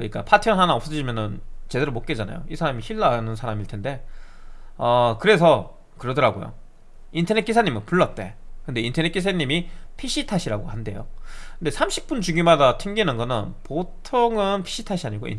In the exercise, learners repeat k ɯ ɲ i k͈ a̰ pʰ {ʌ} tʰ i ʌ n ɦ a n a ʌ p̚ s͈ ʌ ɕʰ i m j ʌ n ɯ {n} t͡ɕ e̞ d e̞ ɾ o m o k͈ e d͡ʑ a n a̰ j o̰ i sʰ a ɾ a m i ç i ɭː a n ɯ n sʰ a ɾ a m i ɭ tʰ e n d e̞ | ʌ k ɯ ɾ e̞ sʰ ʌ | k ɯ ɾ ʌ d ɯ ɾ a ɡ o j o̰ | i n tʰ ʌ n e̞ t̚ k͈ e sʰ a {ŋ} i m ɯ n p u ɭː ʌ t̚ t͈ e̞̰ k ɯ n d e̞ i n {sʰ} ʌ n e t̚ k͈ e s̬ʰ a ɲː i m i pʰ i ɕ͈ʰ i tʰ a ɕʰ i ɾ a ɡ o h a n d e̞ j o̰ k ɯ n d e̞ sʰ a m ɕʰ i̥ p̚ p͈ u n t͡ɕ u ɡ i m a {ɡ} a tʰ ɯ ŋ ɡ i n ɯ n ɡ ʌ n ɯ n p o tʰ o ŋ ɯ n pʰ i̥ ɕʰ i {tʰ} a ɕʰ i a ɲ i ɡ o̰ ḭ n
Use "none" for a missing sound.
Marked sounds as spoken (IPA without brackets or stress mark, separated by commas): a, n, ɲ, tʰ, d, tʰ